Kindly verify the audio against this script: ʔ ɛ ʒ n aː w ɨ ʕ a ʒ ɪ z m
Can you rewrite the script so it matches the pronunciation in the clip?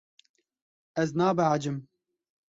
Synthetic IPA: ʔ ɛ z n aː b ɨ ʕ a d͡ʒ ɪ m